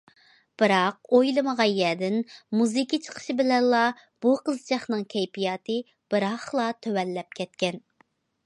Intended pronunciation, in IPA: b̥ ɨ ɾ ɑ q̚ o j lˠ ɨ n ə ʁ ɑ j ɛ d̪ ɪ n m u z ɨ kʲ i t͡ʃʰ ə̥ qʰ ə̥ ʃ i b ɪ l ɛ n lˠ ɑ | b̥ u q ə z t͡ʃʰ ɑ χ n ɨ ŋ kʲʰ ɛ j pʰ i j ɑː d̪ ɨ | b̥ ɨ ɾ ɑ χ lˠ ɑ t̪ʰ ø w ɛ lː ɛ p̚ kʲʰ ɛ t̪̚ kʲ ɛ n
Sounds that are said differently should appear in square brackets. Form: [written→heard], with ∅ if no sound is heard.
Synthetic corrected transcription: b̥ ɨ ɾ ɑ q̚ o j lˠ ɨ [n→m] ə ʁ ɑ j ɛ d̪ ɪ n m u z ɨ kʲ i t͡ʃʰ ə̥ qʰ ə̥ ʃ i b ɪ l ɛ n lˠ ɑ | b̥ u q ə z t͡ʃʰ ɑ χ n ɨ ŋ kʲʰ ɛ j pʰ i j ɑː [d̪→t̪] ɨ | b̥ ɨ ɾ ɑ χ lˠ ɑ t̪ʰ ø w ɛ lː ɛ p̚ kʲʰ ɛ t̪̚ kʲ ɛ n